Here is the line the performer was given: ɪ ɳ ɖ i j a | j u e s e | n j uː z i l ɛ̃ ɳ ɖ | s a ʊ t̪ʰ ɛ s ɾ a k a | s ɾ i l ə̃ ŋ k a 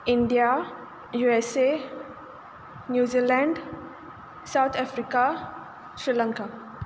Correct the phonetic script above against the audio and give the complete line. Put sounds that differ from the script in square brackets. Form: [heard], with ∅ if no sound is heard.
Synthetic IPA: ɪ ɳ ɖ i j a | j u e s e | n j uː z i l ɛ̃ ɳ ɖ | s a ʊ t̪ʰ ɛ [f] ɾ [i] k a | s ɾ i l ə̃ ŋ k a

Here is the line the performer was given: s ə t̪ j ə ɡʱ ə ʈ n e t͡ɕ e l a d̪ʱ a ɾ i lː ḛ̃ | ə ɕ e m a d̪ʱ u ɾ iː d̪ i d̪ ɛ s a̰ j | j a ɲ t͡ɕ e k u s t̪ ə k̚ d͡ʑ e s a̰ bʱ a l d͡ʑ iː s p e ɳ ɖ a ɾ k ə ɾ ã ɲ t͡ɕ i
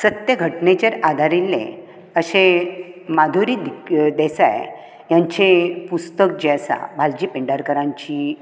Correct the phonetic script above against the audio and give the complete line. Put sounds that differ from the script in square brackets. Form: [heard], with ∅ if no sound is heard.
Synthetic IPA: s ə t̪ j ə ɡʱ ə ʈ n e t͡ɕ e [ɾ] a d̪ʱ a ɾ i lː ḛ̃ | ə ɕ e m a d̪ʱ u ɾ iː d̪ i d̪ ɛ s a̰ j | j a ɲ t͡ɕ e [p] u s t̪ ə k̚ d͡ʑ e s a̰ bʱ a l d͡ʑ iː [∅] p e ɳ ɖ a ɾ k ə ɾ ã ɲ t͡ɕ i

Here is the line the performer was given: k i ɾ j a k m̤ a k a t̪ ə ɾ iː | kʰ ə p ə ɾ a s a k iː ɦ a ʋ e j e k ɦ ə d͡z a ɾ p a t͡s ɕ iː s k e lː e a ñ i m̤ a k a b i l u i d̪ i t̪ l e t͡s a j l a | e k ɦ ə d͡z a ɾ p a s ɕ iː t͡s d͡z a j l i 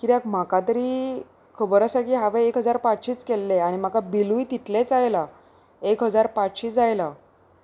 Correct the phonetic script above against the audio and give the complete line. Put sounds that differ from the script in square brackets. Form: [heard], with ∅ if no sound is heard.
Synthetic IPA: k i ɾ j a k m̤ a k a t̪ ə ɾ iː | kʰ ə [b] ə ɾ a s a k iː ɦ a ʋ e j e k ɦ ə d͡z a ɾ p a t͡s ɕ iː [t͡s] k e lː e a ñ i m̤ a k a b i l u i [t̪] i t̪ l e t͡s a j l a | e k ɦ ə d͡z a ɾ p a [t͡s] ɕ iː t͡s d͡z a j l [a]

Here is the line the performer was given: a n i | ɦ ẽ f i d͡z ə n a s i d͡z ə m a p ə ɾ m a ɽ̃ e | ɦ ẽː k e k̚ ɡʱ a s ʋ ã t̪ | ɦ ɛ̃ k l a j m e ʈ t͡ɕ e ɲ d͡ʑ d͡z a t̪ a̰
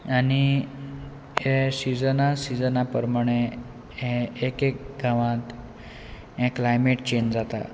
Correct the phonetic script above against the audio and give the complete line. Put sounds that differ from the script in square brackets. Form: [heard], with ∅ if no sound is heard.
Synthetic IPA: a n i | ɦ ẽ [s] i d͡z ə n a s i d͡z ə [n] a p ə ɾ m a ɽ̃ e | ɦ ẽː k e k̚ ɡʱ a [∅] ʋ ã t̪ | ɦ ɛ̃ k l a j m e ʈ t͡ɕ e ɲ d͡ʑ d͡z a t̪ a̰

